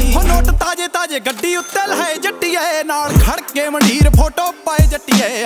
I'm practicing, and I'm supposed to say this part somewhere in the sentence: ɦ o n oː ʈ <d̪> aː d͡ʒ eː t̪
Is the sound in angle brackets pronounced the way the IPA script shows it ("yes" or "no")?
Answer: no